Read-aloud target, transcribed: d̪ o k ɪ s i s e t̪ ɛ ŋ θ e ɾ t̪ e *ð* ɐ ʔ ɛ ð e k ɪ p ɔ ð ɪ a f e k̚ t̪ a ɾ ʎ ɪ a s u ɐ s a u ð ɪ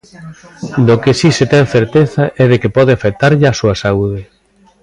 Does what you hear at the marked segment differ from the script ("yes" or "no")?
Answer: yes